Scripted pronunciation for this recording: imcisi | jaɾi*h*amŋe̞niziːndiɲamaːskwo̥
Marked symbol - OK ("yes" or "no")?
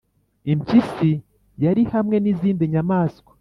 yes